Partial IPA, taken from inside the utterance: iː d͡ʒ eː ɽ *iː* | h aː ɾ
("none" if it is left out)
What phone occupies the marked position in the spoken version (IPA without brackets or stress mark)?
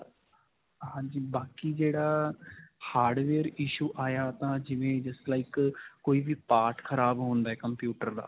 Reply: aː